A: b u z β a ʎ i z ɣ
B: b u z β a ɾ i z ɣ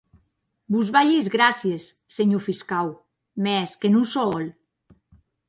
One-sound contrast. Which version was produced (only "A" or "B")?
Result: A